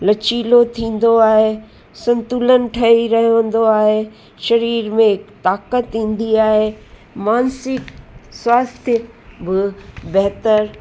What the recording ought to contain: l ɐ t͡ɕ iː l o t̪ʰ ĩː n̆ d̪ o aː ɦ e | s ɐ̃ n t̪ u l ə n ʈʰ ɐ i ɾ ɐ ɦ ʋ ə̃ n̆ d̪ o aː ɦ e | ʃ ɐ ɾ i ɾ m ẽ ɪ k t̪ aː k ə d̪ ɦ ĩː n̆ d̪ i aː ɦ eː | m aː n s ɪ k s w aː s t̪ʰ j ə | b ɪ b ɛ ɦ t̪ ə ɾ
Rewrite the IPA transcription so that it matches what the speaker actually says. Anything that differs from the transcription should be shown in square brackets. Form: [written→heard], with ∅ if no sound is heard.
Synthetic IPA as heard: l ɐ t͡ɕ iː l o t̪ʰ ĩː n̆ d̪ o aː ɦ e | s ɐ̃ n t̪ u l ə n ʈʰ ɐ i ɾ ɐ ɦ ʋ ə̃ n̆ d̪ o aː ɦ e | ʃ ɐ ɾ [i→iː] ɾ m ẽ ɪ k t̪ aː k ə [d̪→t̪] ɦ ĩː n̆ d̪ i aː ɦ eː | m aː n s ɪ k s w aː s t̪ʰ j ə | b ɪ b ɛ ɦ t̪ ə ɾ

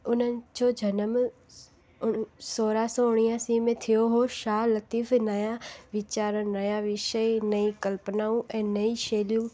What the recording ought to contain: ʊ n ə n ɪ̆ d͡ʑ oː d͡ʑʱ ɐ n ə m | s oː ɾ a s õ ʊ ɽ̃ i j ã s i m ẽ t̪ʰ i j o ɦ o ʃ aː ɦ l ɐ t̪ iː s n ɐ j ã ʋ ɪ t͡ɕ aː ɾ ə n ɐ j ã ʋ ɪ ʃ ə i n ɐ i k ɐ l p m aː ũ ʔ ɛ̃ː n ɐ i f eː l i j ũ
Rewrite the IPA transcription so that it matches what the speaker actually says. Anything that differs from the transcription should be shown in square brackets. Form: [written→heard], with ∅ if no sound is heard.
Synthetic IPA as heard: ʊ n ə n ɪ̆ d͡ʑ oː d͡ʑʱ ɐ n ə m | s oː ɾ a s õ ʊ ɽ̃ i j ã s i m ẽ t̪ʰ i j o ɦ o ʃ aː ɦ l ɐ t̪ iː [s→f] n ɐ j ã ʋ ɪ t͡ɕ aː ɾ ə n ɐ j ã ʋ ɪ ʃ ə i n ɐ i k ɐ l p [m→n] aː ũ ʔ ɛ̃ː n ɐ i [f→ʃ] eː l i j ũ

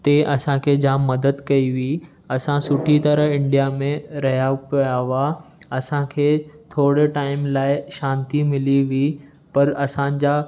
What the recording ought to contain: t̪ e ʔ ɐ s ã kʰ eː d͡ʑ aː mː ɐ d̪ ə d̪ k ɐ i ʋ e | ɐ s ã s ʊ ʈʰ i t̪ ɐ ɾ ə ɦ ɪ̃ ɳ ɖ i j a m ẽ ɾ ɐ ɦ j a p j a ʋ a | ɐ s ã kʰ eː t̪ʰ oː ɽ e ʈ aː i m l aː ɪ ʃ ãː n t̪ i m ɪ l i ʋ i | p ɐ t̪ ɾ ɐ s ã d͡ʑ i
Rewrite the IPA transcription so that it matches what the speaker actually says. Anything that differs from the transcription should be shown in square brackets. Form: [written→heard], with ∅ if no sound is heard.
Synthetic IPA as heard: t̪ e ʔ ɐ s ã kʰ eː d͡ʑ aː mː ɐ d̪ ə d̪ k ɐ i ʋ [e→i] | ɐ s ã s ʊ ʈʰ i t̪ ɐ ɾ ə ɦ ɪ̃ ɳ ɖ i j a m ẽ ɾ ɐ ɦ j a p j a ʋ a | ɐ s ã kʰ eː t̪ʰ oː ɽ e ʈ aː [i→ɪ] m l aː ɪ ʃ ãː n t̪ i m ɪ l i ʋ i | p ɐ [t̪→∅] ɾ ɐ s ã d͡ʑ [i→a]

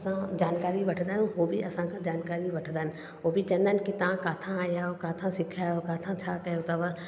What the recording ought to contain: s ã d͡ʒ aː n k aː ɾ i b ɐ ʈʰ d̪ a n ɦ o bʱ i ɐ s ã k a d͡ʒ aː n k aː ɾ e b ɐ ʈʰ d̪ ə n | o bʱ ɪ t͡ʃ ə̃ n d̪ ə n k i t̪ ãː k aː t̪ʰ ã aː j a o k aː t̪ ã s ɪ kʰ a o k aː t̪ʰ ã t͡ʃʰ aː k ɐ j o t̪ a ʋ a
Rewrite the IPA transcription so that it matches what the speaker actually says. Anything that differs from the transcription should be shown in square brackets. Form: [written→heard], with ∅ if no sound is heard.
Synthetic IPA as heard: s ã d͡ʒ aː n k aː ɾ i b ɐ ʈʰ d̪ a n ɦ o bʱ i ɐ s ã k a d͡ʒ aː n k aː ɾ [e→i] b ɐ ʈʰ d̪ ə n | o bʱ [ɪ→i] t͡ʃ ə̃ n d̪ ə n k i t̪ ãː k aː t̪ʰ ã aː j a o k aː [t̪→t̪ʰ] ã s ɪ kʰ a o k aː t̪ʰ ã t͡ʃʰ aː k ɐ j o t̪ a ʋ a

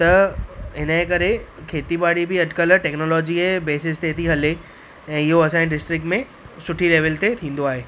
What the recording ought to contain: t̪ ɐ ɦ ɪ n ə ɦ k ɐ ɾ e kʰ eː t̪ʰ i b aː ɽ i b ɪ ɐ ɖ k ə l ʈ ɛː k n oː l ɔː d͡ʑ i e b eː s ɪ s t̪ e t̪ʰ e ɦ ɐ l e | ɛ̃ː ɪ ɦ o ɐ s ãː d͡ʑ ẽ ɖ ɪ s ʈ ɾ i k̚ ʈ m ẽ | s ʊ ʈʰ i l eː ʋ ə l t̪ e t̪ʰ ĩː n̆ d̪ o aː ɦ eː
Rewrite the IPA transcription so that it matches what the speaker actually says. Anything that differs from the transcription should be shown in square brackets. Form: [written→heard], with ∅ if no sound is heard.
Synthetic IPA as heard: t̪ ɐ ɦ ɪ n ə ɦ k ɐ ɾ e kʰ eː [t̪ʰ→t̪] i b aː ɽ i b ɪ ɐ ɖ k ə l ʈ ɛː k n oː l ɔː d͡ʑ i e b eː s ɪ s t̪ e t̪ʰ [e→i] ɦ ɐ l e | ɛ̃ː ɪ ɦ o ɐ s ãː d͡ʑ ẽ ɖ ɪ s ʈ ɾ [i→ɪ] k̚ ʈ m ẽ | s ʊ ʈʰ i l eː ʋ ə l t̪ e t̪ʰ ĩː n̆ d̪ o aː ɦ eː

